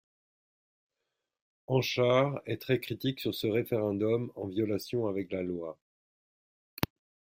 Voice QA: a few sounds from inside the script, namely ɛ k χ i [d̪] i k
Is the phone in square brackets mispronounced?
yes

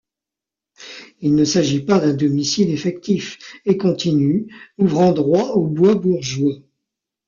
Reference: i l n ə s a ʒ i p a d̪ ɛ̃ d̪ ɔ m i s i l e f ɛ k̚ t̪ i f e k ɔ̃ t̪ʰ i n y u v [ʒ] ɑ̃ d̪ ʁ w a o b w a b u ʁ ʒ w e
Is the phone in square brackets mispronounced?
yes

